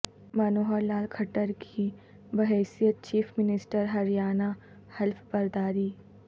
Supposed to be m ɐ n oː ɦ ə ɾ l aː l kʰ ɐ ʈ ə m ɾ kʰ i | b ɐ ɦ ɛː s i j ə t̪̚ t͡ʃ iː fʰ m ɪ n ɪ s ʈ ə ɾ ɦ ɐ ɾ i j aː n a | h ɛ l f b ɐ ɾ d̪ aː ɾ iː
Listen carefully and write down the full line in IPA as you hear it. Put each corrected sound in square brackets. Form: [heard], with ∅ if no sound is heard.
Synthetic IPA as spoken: m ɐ n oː ɦ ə ɾ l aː l kʰ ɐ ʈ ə [∅] ɾ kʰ i | b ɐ ɦ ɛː s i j ə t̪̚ t͡ʃ iː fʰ m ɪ n ɪ s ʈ ə ɾ ɦ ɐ ɾ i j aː n a | h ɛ l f b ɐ ɾ d̪ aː ɾ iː